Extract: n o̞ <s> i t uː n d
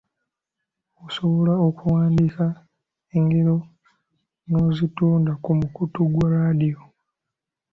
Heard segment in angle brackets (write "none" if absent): z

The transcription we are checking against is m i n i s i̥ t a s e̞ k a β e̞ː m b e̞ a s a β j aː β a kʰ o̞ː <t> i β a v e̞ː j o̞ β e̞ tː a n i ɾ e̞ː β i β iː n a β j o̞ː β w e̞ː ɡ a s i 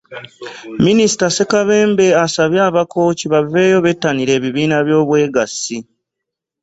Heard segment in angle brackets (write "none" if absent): c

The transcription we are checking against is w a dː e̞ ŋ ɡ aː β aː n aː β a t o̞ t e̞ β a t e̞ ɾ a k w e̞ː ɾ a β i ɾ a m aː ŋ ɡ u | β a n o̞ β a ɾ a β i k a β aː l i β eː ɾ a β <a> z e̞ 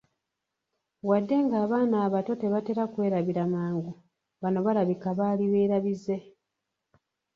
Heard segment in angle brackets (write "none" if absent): i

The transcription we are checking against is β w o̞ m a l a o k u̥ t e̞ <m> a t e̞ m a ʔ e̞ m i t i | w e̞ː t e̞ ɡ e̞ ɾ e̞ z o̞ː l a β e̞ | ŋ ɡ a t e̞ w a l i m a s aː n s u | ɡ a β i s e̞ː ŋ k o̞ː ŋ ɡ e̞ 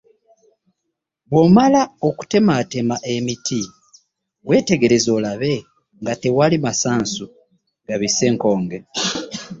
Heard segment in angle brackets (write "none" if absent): m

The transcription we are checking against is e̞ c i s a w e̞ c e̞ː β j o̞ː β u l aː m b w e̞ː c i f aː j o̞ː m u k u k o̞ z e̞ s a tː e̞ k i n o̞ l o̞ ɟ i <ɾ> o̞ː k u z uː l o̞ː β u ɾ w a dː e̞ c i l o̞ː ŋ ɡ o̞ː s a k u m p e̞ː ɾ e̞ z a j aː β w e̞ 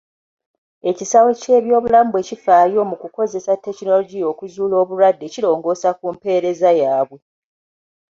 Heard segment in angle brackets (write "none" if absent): none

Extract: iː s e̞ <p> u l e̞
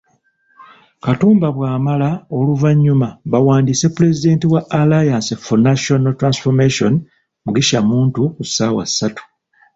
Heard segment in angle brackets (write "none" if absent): p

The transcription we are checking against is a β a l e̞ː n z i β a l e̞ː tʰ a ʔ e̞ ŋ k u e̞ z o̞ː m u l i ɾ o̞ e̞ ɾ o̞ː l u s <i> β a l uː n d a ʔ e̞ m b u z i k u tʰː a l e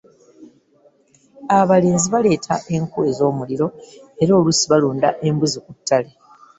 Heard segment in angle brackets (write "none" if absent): i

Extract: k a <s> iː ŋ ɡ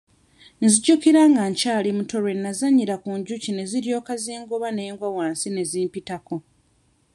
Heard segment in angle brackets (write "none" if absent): z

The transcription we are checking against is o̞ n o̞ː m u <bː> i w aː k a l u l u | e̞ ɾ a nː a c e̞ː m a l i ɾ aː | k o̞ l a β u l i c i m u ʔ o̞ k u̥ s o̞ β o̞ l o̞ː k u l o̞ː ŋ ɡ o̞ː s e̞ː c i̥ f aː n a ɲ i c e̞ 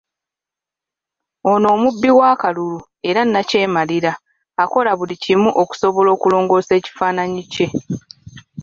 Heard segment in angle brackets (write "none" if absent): bː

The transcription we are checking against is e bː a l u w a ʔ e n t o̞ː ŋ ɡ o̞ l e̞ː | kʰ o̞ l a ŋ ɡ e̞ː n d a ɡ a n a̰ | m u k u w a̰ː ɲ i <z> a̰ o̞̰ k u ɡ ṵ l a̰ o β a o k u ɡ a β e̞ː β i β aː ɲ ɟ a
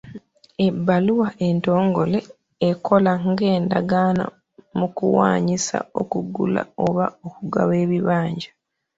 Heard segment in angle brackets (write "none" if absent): s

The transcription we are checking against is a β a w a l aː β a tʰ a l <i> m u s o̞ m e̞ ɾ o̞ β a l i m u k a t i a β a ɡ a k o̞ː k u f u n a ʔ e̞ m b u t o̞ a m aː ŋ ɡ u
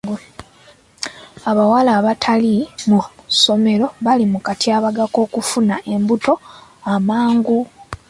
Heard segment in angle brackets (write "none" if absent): i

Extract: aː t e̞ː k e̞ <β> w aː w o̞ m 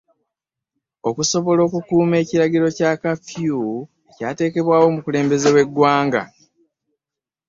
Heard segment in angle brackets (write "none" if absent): β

